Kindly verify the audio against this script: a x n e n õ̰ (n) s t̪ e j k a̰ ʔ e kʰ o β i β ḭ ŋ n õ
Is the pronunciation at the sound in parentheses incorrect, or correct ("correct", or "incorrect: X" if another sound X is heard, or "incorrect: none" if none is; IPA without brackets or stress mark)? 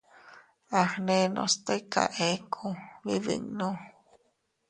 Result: incorrect: none